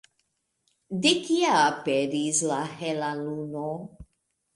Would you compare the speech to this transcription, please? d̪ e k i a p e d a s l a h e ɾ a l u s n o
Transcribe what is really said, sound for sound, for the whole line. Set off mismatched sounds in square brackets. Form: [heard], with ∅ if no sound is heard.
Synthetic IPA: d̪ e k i a p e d [i] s l a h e [l] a l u [∅] n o